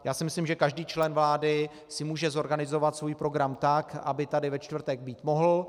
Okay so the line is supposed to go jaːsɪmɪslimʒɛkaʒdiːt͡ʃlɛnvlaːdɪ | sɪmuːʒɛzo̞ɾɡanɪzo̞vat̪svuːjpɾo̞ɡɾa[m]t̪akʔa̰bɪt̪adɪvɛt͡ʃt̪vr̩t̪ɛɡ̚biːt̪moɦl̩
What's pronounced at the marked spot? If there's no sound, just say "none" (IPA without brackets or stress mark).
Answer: m